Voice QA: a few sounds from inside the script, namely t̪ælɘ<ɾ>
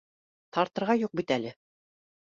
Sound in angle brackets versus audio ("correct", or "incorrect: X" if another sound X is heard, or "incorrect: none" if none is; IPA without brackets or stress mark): incorrect: none